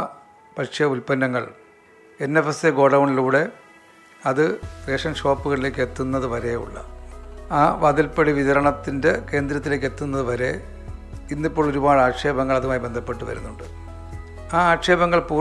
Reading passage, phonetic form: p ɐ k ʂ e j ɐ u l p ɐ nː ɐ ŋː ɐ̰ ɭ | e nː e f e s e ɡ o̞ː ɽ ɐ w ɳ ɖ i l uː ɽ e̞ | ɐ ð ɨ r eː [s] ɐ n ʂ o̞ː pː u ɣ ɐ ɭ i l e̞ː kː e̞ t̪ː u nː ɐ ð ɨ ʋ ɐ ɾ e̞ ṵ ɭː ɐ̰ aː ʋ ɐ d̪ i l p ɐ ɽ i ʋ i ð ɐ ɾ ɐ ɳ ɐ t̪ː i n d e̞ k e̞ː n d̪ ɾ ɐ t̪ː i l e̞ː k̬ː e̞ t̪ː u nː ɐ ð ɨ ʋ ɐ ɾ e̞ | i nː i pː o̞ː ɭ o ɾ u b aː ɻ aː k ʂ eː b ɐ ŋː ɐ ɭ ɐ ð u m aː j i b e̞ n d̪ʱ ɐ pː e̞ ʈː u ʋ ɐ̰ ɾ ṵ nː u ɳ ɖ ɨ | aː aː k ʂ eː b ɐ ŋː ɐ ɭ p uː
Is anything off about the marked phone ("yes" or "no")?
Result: yes